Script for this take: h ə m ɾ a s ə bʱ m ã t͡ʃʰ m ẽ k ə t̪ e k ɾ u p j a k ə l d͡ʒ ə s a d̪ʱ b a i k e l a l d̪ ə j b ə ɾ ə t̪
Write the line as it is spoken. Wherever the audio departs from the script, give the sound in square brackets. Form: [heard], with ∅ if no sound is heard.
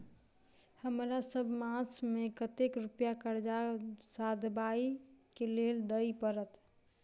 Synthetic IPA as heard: h ə m ɾ a s ə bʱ m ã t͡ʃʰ m [e] k ə t̪ e k ɾ u p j a k ə [ɾ] d͡ʒ [a] s a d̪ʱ b a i k e l [e] l d̪ ə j [p] ə ɾ ə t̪